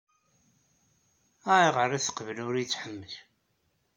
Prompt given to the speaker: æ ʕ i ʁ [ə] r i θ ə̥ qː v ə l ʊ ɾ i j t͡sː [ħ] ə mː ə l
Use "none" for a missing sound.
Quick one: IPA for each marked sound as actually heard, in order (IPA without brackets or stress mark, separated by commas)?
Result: ə, ħ